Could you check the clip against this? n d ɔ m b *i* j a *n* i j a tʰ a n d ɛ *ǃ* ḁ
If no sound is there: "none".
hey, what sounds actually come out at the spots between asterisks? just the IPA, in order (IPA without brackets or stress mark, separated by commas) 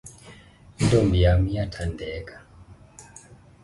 i, m, k